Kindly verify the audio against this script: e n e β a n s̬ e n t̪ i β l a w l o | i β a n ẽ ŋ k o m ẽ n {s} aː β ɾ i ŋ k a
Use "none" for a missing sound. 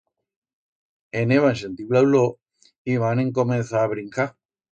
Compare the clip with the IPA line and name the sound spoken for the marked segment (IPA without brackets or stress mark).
θ